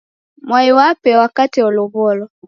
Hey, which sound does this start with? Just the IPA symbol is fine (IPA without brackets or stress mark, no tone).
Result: m